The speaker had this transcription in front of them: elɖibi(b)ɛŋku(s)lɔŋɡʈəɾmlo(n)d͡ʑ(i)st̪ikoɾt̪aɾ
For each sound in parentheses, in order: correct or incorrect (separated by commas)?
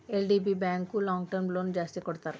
correct, incorrect, correct, incorrect